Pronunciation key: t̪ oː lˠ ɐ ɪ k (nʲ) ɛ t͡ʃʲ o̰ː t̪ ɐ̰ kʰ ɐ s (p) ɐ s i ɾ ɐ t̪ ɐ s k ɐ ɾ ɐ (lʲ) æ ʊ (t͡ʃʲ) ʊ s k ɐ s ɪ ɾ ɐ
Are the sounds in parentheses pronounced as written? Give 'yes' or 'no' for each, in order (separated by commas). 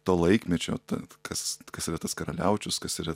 no, no, yes, yes